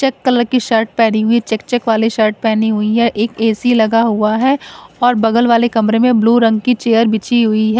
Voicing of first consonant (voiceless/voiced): voiceless